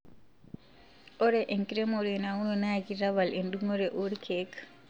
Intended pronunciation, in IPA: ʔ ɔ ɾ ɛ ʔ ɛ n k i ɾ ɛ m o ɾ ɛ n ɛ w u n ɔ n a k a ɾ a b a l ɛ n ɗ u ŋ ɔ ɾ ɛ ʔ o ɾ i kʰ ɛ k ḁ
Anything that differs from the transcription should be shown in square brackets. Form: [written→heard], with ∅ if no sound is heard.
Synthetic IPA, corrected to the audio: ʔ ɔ ɾ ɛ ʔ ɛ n k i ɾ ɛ m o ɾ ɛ n [ɛ→a] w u n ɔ n a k [a→i] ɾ a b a l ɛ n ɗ u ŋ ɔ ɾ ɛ ʔ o ɾ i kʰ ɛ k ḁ